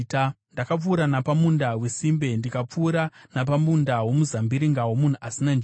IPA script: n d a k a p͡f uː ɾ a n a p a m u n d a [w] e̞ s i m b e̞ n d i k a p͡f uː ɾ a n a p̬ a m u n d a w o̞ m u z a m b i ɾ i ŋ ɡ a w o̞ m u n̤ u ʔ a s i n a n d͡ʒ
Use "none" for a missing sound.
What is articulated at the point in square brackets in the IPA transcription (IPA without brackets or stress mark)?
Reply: w